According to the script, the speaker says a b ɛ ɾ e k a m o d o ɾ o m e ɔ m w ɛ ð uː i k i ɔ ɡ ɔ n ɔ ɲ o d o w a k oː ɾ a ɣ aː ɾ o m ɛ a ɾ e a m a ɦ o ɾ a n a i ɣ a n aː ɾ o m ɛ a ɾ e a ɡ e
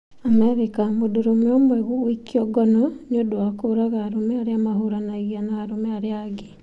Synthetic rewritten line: a m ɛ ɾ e k a m o d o ɾ o m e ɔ m w ɛ ɣ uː i k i ɔ ɡ ɔ n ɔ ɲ o d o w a k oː ɾ a ɣ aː ɾ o m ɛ a ɾ e a m a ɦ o ɾ a n a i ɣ a n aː ɾ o m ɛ a ɾ e a ɡ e